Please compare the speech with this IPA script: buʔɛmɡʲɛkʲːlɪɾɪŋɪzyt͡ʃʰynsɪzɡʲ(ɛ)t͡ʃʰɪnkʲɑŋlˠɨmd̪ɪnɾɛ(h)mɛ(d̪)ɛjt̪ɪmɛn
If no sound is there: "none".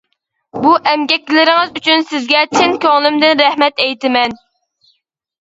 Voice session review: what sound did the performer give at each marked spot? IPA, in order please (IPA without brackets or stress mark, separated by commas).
ɛ, h, t̪